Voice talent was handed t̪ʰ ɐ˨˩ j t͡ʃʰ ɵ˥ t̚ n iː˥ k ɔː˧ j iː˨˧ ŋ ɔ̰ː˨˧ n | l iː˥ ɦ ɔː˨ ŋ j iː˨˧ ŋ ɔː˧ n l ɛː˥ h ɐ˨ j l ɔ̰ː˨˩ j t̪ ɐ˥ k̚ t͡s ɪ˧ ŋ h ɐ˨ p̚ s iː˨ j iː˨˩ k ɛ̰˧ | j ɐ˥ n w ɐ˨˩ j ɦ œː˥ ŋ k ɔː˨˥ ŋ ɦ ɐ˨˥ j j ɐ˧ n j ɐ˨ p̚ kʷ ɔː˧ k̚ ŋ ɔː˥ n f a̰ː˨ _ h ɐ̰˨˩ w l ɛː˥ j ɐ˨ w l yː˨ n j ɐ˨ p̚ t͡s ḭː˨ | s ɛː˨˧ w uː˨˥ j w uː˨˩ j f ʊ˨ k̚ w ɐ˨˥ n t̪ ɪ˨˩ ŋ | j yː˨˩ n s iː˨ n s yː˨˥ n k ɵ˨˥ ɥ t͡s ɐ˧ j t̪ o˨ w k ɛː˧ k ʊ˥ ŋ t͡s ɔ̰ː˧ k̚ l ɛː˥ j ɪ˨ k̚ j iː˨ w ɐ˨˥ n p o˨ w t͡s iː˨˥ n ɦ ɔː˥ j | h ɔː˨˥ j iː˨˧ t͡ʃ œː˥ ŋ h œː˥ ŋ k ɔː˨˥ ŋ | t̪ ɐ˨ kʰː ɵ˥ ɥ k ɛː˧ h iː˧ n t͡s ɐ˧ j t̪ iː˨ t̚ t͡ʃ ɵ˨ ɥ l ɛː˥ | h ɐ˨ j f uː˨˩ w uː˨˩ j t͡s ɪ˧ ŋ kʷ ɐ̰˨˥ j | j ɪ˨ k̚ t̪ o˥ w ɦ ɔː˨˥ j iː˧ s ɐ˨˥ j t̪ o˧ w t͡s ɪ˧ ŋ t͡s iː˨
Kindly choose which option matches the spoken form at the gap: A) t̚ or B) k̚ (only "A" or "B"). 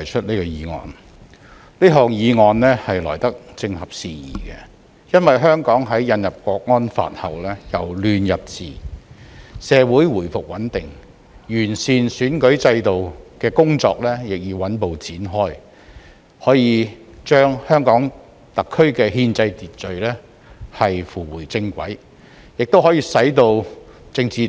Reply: A